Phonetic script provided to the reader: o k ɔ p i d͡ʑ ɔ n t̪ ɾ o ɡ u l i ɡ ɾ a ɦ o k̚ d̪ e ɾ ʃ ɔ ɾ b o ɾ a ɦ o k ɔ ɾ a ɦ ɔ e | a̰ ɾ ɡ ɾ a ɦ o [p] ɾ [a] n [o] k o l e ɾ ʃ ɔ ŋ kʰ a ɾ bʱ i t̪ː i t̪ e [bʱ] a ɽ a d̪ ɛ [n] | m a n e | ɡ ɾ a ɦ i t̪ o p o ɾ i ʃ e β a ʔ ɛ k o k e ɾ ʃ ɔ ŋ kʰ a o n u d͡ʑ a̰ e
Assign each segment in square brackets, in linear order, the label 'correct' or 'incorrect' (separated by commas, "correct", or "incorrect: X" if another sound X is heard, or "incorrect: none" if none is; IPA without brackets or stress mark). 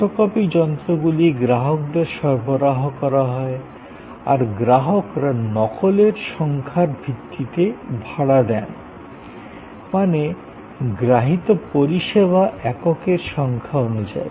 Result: incorrect: k, correct, incorrect: ɔ, correct, correct